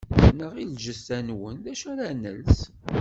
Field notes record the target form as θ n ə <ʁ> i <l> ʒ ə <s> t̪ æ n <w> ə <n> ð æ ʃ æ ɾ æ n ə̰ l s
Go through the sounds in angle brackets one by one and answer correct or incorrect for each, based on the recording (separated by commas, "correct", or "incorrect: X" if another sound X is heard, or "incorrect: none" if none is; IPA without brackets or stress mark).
correct, correct, correct, correct, correct